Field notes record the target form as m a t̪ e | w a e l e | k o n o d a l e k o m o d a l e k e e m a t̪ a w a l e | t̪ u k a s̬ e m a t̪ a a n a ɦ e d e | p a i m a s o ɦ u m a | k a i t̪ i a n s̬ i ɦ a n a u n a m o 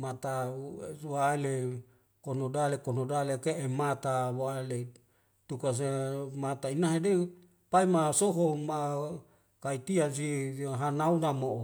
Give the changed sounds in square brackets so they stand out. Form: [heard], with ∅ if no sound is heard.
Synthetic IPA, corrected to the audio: m a t̪ [a] | w a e l e | k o n o d a l e k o [n] o d a l e k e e m a t̪ a w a l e | t̪ u k a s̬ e m a t̪ a [i] n a ɦ e d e | p a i m a s o ɦ [o] m a | k a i t̪ i a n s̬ i ɦ a n a u n a m o